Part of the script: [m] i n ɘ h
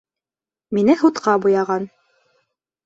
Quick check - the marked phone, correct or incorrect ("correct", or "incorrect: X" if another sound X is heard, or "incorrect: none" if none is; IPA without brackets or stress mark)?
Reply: correct